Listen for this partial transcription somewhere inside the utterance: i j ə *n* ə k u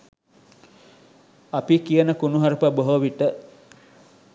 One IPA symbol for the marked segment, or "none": n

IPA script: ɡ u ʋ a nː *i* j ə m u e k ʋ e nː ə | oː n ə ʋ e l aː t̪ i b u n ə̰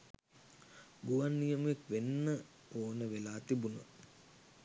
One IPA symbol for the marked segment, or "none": i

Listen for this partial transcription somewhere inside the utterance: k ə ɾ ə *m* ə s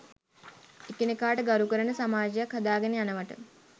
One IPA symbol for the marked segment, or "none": n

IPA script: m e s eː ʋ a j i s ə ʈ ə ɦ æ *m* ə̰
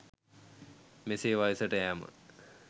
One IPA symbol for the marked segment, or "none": m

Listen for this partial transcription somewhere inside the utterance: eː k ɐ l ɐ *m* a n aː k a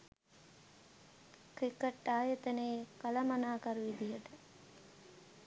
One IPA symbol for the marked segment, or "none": m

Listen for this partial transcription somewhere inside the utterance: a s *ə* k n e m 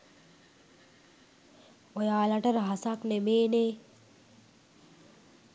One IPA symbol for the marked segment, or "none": a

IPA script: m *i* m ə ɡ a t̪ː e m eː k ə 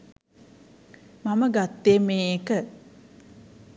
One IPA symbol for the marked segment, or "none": a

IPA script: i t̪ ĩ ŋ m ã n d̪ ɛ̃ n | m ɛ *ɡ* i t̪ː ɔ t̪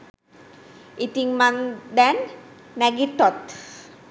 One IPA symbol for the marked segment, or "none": ɡ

